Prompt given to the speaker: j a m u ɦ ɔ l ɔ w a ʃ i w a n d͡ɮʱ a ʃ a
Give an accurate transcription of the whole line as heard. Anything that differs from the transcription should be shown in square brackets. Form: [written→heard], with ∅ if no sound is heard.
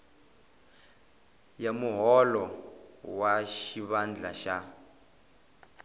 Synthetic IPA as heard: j a m u ɦ ɔ l ɔ w a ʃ i [w→β] a n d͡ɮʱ a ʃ a